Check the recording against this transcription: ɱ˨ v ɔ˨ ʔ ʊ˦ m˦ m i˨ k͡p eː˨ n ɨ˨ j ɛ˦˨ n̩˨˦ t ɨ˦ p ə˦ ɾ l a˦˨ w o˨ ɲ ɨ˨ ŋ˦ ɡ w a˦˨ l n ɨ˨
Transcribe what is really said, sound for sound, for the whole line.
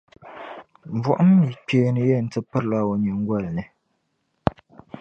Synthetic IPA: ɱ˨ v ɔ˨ ʔ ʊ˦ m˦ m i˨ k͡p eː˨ n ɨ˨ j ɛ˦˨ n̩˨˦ t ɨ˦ p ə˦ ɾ l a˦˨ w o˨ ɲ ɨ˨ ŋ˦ ɡ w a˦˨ l n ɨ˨